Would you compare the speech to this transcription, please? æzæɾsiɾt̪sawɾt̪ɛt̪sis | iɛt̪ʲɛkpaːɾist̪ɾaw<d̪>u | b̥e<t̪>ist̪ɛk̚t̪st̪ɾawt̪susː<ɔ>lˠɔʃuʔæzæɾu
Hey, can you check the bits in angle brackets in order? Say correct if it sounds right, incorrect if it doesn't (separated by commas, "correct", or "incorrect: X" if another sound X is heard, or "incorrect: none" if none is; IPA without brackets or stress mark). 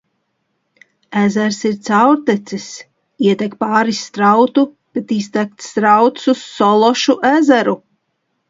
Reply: incorrect: t̪, correct, correct